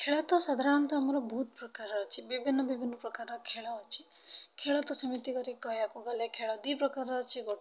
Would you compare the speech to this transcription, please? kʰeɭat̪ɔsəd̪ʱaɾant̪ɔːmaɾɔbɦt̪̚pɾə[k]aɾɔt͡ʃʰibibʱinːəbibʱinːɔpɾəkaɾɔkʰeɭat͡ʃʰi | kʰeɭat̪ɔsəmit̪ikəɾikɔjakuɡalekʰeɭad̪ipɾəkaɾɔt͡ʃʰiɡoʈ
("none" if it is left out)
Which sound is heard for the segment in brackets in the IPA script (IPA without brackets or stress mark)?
k